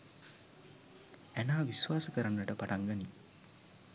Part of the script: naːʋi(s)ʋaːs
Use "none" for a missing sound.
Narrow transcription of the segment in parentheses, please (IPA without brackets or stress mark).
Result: s